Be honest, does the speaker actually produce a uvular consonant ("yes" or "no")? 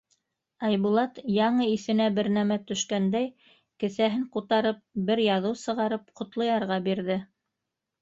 yes